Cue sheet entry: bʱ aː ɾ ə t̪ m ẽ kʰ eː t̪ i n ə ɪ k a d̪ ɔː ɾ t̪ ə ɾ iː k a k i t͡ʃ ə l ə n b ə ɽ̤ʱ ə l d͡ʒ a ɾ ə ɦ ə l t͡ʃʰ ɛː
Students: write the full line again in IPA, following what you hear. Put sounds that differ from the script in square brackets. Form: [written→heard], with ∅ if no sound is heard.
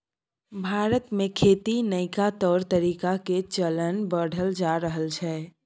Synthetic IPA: bʱ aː ɾ ə t̪ m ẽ kʰ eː t̪ i n ə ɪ k a [d̪→t̪] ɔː ɾ t̪ ə ɾ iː k a k [i→e] t͡ʃ ə l ə n b ə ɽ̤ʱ ə l d͡ʒ a ɾ ə ɦ ə l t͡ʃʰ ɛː

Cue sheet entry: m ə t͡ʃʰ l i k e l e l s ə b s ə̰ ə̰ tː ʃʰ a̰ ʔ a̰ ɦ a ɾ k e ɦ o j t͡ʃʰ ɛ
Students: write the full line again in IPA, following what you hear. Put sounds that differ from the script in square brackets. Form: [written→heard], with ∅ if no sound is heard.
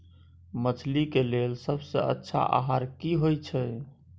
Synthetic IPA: m ə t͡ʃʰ l i k e l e l s ə b s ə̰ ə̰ tː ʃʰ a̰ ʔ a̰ ɦ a ɾ k [e→i] ɦ o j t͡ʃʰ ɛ

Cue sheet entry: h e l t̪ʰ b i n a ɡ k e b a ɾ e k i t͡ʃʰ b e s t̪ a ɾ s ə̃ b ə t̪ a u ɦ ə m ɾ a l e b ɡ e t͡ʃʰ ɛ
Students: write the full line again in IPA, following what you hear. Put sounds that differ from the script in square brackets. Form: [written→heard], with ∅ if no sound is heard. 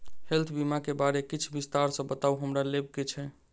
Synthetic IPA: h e l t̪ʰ b i [n→m] a [ɡ→∅] k e b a ɾ e k i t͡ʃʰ b [e→i] s t̪ a ɾ s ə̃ b ə t̪ a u ɦ ə m ɾ a l e b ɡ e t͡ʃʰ ɛ

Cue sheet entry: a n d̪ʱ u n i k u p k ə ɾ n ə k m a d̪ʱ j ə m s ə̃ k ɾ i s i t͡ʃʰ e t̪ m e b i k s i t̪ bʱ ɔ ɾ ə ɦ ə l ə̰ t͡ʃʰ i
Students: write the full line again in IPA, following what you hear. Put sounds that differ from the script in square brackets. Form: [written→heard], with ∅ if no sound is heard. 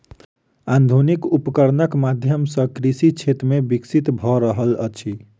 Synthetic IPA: a n d̪ʱ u n i k u p k ə ɾ n ə k m a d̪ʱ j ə m s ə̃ k ɾ i s i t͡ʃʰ e t̪ m e b i k s i t̪ bʱ ɔ ɾ ə ɦ ə l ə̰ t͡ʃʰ i

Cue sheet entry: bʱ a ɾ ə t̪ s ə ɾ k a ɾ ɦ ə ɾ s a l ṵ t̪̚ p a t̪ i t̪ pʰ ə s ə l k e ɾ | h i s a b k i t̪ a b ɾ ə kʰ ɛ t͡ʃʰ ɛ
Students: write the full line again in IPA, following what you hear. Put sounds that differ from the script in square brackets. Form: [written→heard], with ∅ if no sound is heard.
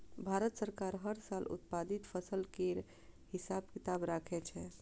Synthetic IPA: bʱ a ɾ ə t̪ s ə ɾ k a ɾ ɦ ə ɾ s a l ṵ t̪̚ p a [t̪→d̪] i t̪ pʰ ə s ə l k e ɾ | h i s a b k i t̪ a b ɾ [ə→a] kʰ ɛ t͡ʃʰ ɛ

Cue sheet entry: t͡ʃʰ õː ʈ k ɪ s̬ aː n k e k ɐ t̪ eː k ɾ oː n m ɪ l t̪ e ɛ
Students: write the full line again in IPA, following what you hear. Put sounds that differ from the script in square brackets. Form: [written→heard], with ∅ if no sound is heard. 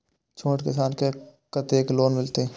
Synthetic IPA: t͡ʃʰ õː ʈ k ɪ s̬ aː n k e k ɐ t̪ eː k [ɾ→l] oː n m ɪ l t̪ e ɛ

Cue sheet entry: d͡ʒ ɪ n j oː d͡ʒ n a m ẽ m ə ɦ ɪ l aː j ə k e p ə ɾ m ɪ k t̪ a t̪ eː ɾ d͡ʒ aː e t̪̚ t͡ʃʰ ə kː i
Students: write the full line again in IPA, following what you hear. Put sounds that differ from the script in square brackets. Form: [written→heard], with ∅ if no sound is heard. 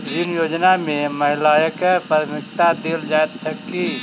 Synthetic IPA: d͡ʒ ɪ n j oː d͡ʒ n a m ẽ m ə ɦ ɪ l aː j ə k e p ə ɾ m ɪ k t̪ a [t̪→d̪] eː [ɾ→l] d͡ʒ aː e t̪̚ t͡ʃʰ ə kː i

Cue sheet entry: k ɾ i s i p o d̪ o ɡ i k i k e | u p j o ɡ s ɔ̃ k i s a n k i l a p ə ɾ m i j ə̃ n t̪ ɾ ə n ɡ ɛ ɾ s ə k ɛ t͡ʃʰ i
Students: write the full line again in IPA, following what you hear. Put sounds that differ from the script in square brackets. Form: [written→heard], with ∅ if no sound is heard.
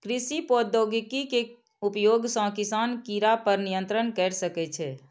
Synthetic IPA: k ɾ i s i p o d̪ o ɡ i k i k e | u p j o ɡ s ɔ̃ k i s a n k i [l→ɾ] a p ə ɾ [m→n] i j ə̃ n t̪ ɾ ə n [ɡ→k] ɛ ɾ s ə k ɛ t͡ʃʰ [i→ɛ]

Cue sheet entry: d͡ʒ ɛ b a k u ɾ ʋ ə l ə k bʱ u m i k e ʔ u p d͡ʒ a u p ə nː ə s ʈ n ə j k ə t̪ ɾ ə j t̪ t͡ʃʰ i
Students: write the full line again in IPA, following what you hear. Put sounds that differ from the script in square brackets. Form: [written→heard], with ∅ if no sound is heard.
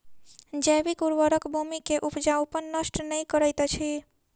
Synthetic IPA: d͡ʒ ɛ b [a→i] k u ɾ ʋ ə [l→ɾ] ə k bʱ u m i k e ʔ u p d͡ʒ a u p ə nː ə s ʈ n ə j k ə [t̪→∅] ɾ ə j t̪ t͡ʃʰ i

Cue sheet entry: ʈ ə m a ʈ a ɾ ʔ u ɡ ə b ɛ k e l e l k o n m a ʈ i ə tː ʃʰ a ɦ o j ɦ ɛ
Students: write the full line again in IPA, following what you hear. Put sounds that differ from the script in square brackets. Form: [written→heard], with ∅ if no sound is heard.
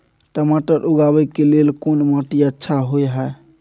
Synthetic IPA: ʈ ə m a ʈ [a→ə] ɾ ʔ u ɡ [ə→a] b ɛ k e l e l k o n m a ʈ i ə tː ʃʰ a ɦ o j ɦ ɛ

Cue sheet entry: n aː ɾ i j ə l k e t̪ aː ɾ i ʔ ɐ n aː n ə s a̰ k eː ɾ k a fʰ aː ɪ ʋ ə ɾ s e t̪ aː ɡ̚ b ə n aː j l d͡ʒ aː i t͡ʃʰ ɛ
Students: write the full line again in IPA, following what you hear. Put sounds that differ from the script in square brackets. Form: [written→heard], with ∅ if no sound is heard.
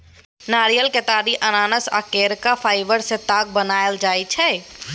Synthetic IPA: n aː ɾ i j ə l k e t̪ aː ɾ i ʔ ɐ n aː n ə s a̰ k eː ɾ k a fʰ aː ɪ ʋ ə ɾ s e t̪ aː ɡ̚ b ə n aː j l d͡ʒ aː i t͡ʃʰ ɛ

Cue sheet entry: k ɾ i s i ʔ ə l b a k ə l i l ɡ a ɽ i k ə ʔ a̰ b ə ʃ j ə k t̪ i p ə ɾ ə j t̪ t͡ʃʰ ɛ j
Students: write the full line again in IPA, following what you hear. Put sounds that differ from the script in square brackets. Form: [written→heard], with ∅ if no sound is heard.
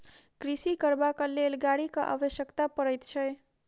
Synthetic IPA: k ɾ i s i [ʔ→k] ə [l→ɾ] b a k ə l [i→e] l ɡ a ɽ i k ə ʔ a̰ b ə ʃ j ə k t̪ [i→a] p ə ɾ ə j t̪ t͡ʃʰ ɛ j

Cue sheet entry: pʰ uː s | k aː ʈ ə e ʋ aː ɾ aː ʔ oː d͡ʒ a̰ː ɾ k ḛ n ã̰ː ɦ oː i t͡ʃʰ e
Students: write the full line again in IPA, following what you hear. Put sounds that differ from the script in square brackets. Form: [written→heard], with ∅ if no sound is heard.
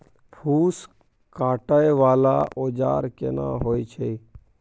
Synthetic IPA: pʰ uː s | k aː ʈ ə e ʋ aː [ɾ→l] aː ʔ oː d͡ʒ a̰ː ɾ k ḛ n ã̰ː ɦ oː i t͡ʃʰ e

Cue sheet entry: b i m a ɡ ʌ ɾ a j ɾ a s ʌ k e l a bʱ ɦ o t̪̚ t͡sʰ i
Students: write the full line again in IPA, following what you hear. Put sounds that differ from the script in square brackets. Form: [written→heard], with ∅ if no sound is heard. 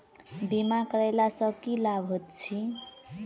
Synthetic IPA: b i m a [ɡ→k] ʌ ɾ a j [ɾ→l] a s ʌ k [e→i] l a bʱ ɦ o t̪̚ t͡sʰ i

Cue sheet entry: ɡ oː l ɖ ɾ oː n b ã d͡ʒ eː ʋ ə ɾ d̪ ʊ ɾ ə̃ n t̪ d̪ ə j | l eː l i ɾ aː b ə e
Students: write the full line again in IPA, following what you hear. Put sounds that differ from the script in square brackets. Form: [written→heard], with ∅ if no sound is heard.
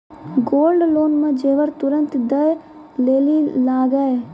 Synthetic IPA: ɡ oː l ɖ [ɾ→l] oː n [b→m] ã d͡ʒ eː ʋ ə ɾ [d̪→t̪] ʊ ɾ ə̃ n t̪ d̪ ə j | l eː l i [ɾ→l] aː [b→ɡ] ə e

